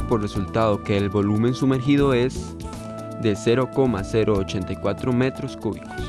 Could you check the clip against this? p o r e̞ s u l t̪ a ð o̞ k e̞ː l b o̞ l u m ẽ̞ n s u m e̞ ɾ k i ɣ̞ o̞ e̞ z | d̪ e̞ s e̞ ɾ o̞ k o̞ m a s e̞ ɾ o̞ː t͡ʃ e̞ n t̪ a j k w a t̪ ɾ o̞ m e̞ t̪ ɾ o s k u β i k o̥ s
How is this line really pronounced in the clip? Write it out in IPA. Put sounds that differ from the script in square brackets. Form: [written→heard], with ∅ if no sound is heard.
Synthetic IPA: p o r e̞ s u l t̪ a ð o̞ k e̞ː l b o̞ l u m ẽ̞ n s u m e̞ ɾ [k→x] i [ɣ̞→ð̞] o̞ e̞ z | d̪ e̞ s e̞ ɾ o̞ k o̞ m a s e̞ ɾ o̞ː t͡ʃ e̞ n t̪ a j k w a t̪ ɾ o̞ m e̞ t̪ ɾ o s k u β i k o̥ s